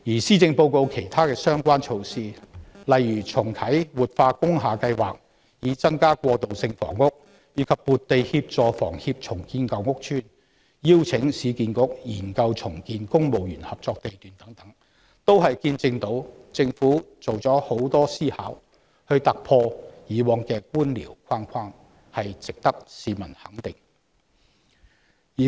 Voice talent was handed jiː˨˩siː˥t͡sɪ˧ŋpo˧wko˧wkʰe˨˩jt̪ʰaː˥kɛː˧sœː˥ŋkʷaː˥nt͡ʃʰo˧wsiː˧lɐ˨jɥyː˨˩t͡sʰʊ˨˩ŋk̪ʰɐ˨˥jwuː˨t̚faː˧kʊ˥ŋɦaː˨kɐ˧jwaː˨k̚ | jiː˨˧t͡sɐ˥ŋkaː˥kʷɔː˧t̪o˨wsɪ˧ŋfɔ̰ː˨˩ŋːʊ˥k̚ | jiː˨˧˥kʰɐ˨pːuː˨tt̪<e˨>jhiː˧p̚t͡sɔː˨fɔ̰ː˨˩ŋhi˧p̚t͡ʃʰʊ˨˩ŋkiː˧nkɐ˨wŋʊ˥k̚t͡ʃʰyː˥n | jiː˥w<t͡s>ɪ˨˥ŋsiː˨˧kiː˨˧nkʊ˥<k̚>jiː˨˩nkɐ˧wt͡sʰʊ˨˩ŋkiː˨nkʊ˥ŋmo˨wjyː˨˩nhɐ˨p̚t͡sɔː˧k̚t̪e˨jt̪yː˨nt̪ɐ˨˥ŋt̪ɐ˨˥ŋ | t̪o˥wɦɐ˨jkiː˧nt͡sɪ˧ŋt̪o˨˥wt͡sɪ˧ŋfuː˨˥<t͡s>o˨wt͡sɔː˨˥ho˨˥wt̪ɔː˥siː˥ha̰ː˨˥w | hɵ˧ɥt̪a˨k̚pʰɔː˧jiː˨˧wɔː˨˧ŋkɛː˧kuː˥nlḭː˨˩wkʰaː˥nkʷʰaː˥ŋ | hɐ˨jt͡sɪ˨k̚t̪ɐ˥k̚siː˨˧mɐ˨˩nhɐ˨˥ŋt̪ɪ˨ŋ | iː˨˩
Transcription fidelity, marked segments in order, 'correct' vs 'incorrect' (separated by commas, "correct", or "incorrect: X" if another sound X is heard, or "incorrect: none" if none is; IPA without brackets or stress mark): correct, incorrect: t͡sʰ, correct, correct